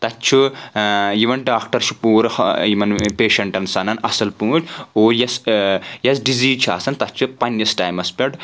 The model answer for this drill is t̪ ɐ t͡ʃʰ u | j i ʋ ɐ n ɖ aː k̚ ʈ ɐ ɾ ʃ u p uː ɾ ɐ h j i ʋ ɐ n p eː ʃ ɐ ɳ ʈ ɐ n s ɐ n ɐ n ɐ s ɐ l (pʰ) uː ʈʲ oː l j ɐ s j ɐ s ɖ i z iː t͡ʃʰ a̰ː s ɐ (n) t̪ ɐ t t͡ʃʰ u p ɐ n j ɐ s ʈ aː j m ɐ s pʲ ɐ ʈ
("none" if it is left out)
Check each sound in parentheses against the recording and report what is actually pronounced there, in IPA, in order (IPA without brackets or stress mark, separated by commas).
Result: p, n